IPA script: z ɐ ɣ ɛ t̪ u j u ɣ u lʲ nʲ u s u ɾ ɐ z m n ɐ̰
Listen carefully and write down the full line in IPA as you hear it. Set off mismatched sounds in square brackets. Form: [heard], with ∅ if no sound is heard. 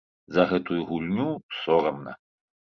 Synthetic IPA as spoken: z ɐ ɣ ɛ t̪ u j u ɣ u lʲ nʲ u s [ɔ] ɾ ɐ [∅] m n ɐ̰